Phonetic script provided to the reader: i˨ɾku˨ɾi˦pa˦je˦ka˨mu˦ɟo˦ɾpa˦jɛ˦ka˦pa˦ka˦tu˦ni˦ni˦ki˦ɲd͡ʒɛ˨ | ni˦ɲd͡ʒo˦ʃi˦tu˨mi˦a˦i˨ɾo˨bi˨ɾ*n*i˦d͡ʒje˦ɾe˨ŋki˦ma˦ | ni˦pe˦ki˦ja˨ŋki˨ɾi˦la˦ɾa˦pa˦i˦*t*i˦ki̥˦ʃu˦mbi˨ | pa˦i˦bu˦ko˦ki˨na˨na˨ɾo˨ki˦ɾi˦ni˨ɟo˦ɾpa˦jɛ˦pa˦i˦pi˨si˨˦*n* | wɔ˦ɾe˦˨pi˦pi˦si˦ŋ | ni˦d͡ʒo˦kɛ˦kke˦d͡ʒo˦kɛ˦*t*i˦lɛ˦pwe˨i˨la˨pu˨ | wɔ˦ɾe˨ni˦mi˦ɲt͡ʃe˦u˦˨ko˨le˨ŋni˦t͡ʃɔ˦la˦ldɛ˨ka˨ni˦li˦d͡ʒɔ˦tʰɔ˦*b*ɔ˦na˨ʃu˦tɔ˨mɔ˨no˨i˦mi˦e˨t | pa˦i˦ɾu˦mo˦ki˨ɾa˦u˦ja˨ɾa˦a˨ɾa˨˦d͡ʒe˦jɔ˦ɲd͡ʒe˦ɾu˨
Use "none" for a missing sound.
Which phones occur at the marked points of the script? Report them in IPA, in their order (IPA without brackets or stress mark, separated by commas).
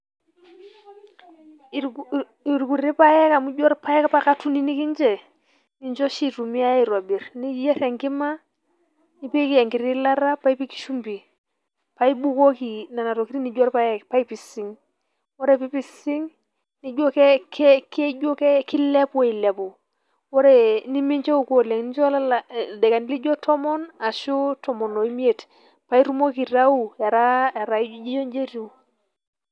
n, p, ŋ, k, m